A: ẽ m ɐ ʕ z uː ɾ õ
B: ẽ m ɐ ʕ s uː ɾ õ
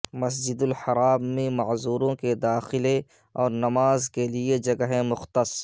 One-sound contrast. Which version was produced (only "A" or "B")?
A